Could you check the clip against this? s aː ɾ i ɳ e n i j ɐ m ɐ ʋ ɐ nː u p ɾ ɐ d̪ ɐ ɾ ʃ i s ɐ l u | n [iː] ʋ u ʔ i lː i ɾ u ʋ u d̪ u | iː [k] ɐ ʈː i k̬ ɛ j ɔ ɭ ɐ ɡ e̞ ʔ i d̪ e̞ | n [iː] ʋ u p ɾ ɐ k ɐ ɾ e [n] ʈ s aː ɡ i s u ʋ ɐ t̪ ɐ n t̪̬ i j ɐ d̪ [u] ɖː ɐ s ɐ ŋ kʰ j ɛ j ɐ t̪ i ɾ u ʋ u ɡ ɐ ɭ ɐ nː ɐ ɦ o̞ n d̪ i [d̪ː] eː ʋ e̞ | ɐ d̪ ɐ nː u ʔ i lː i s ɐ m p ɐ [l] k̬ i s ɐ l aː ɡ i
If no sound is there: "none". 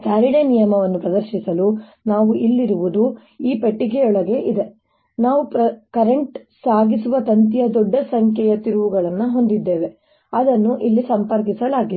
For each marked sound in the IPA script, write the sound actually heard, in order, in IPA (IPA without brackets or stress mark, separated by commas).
aː, p, aː, ɳ, ɔ, d̪ː, ɾ